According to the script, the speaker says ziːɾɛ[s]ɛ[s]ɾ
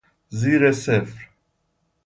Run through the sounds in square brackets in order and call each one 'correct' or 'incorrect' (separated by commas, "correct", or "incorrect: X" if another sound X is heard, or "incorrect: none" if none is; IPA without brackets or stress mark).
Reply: correct, incorrect: f